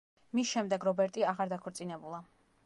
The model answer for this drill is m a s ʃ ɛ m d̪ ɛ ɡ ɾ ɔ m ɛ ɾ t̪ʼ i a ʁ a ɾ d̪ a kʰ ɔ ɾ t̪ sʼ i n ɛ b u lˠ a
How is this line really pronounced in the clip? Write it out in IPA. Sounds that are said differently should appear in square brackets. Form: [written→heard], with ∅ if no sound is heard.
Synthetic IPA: m [a→i] s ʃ ɛ m d̪ ɛ ɡ ɾ ɔ [m→b] ɛ ɾ t̪ʼ i a ʁ a ɾ d̪ a kʰ ɔ ɾ t̪ sʼ i n ɛ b u lˠ a